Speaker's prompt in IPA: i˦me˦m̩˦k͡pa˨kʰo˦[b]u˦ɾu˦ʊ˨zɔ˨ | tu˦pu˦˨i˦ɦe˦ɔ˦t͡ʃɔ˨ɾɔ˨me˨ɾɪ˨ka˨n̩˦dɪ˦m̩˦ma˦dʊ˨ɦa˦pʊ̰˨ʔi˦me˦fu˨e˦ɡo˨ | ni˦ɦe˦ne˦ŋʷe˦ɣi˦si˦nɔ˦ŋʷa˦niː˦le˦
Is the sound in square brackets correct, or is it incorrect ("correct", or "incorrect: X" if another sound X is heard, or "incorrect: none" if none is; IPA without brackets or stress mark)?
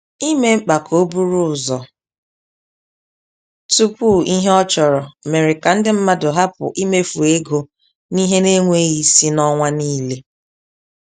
correct